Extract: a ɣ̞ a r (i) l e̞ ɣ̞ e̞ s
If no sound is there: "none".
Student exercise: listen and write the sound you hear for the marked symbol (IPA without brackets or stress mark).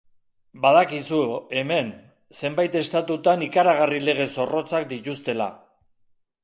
i